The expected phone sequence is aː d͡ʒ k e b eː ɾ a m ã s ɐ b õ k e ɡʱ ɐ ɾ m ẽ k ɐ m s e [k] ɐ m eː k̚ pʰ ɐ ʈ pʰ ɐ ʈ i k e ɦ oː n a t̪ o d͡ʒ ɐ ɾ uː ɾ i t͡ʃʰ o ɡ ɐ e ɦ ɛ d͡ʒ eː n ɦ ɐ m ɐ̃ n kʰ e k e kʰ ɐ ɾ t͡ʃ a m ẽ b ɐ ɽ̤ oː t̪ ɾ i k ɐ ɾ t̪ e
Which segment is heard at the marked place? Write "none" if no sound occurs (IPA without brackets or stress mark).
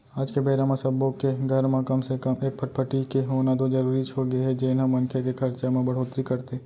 k